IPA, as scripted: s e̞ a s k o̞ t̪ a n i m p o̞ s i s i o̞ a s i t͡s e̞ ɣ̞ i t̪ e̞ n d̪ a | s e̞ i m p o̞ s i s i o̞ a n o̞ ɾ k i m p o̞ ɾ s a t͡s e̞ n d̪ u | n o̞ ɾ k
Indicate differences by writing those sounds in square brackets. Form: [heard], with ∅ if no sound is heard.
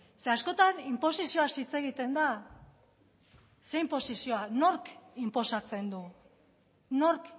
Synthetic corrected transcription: s e̞ a s k o̞ t̪ a n i m p o̞ s i s i o̞ a s i t͡s e̞ ɣ̞ i t̪ e̞ n d̪ a | s e̞ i m p o̞ s i s i o̞ a n o̞ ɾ k i m p o̞ [∅] s a t͡s e̞ n d̪ u | n o̞ ɾ k